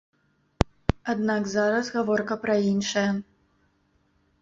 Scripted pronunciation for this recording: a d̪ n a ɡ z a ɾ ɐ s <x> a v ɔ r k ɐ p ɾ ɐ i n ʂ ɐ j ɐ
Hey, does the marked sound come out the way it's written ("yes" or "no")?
no